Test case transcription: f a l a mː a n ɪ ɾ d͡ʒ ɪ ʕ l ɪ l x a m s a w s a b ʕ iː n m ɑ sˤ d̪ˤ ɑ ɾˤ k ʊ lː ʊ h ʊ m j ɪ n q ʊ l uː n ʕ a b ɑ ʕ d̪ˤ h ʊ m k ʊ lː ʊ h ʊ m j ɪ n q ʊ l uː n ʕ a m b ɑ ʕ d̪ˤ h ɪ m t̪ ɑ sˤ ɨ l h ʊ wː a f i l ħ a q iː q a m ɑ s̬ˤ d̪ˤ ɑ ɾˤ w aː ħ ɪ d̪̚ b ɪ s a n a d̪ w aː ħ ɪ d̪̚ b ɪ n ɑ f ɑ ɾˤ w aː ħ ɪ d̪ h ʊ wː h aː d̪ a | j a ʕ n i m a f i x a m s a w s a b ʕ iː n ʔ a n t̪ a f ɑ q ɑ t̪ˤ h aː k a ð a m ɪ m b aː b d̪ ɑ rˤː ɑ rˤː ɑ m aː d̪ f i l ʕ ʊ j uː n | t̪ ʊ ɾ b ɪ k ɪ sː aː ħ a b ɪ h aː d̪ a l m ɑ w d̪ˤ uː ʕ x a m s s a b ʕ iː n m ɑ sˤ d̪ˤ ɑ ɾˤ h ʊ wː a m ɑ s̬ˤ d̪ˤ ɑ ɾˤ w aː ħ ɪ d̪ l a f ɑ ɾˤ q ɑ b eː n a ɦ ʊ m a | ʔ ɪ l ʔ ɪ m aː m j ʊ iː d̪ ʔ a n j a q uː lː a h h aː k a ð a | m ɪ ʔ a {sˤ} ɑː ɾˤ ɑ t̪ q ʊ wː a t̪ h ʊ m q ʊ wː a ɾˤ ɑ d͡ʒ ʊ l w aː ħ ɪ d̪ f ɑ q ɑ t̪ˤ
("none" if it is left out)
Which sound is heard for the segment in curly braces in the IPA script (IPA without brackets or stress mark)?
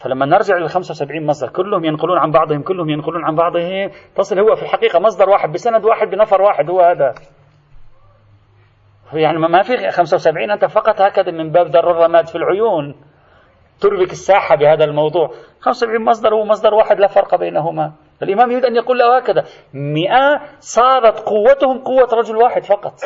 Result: sˤ